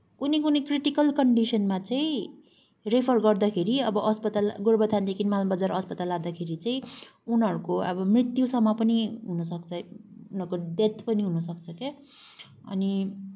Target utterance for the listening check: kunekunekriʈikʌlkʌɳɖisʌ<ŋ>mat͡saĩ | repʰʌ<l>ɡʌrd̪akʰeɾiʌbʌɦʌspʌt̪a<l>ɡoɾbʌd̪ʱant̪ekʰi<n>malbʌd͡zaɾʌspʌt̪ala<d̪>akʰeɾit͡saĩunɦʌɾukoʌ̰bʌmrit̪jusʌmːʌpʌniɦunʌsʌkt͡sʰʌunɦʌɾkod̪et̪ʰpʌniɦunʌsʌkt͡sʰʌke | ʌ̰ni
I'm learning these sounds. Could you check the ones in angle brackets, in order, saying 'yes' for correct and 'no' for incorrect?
no, no, yes, yes, yes

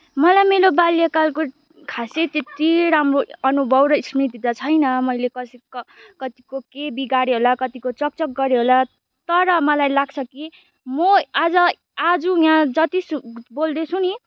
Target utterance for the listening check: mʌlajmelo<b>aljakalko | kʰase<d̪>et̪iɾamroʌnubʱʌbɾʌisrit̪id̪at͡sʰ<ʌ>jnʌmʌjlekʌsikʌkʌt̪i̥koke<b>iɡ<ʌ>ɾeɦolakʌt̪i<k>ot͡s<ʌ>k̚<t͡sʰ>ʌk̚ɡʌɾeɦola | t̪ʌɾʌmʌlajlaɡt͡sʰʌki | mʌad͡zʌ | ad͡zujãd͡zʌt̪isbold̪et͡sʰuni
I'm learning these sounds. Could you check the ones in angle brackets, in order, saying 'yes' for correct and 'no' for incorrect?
yes, no, yes, yes, no, yes, yes, no

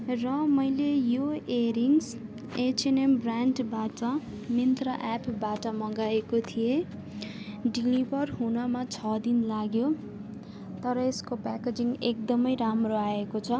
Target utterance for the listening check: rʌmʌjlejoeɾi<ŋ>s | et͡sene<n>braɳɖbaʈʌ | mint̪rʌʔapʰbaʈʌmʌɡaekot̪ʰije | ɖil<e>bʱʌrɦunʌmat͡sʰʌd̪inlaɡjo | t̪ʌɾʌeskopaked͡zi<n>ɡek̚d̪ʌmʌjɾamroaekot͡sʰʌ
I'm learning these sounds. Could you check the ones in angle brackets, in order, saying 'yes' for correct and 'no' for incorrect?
yes, no, no, no

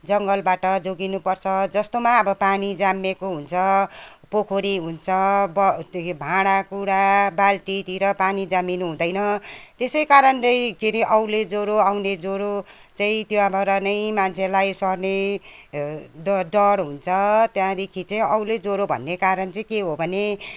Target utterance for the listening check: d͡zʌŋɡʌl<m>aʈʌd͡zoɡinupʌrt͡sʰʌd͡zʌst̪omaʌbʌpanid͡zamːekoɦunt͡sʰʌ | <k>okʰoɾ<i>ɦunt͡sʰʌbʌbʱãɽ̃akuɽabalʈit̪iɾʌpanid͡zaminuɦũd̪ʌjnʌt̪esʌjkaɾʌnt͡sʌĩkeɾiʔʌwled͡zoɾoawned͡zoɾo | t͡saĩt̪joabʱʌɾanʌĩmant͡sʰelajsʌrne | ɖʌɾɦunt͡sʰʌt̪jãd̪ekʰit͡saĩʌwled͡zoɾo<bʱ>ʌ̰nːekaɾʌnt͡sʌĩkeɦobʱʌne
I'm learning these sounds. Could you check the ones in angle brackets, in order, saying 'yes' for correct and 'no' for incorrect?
no, no, yes, yes

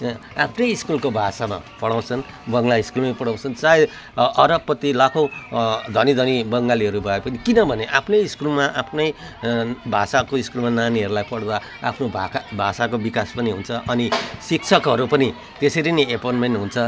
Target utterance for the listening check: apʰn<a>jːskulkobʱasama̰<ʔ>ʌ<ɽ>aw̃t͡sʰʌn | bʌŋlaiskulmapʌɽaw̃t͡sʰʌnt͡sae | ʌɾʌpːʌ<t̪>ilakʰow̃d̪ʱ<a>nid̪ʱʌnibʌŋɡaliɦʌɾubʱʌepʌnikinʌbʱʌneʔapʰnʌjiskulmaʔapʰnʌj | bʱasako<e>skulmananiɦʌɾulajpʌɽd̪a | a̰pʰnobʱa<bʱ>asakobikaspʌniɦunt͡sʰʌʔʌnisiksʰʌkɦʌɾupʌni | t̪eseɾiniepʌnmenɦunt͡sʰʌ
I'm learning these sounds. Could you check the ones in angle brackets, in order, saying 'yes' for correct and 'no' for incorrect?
no, no, yes, yes, no, no, yes

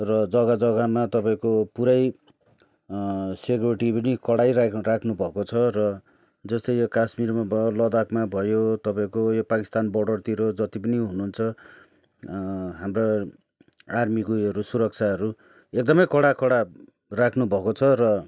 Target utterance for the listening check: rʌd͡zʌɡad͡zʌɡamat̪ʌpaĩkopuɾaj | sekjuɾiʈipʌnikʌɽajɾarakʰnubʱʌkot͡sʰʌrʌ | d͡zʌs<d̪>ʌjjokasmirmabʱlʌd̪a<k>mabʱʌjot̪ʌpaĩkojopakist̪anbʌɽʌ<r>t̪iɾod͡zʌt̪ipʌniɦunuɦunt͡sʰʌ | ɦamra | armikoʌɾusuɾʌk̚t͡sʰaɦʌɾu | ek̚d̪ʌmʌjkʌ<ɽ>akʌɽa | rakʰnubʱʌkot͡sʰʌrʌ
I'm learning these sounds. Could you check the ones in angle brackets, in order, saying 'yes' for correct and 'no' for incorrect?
no, yes, yes, yes

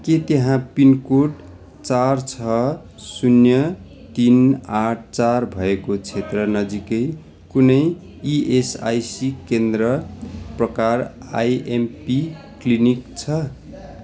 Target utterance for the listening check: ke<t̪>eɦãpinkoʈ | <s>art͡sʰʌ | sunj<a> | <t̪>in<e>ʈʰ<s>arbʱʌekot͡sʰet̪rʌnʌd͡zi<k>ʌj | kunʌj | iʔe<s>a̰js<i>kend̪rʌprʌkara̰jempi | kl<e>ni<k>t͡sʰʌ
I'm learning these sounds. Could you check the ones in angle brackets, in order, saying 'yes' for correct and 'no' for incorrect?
yes, no, no, yes, no, no, yes, yes, yes, no, yes

